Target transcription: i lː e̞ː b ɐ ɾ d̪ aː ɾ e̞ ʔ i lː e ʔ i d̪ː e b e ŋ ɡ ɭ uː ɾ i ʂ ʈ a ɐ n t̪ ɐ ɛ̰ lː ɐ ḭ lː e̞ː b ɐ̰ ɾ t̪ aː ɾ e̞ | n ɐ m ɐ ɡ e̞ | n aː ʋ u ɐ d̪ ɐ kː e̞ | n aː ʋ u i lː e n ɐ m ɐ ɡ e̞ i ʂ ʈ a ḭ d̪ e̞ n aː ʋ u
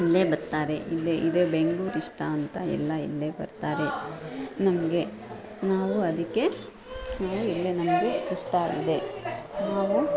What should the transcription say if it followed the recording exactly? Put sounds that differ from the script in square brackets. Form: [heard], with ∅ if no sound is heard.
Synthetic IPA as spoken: i lː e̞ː b ɐ ɾ [t̪] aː ɾ e̞ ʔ i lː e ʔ i [d̪] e b e ŋ ɡ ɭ uː ɾ i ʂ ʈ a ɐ n t̪ ɐ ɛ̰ lː ɐ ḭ lː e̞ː b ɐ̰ ɾ t̪ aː ɾ e̞ | n ɐ m ɐ ɡ e̞ | n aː ʋ u ɐ d̪ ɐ kː e̞ | n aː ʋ u i lː e n ɐ m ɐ ɡ e̞ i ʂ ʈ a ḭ d̪ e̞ n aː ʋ u